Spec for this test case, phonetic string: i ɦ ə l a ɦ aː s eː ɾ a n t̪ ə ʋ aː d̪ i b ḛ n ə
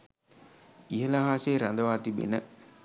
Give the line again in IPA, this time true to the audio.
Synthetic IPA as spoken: i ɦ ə l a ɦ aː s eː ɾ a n d̪ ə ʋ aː t̪ i b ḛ n ə